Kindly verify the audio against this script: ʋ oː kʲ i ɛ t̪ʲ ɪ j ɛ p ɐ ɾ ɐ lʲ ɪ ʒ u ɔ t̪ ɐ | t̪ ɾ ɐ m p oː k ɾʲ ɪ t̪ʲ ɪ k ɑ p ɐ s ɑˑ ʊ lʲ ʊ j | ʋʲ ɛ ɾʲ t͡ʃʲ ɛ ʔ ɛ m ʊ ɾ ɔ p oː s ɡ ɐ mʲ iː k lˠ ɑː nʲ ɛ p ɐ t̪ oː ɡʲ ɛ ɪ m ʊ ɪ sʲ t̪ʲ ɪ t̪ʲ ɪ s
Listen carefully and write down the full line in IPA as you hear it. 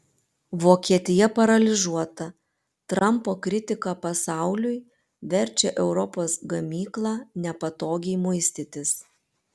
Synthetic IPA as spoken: ʋ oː kʲ i ɛ t̪ʲ ɪ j ɛ p ɐ ɾ ɐ lʲ ɪ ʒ u ɔ t̪ ɐ | t̪ ɾ ɐ m p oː k ɾʲ ɪ t̪ʲ ɪ k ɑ p ɐ s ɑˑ ʊ lʲ ʊ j | ʋʲ ɛ ɾʲ t͡ʃʲ ɛ ʔ ɛ ʊ ɾ ɔ p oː s ɡ ɐ mʲ iː k lˠ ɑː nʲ ɛ p ɐ t̪ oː ɡʲ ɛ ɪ m ʊ ɪ sʲ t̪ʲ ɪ t̪ʲ ɪ s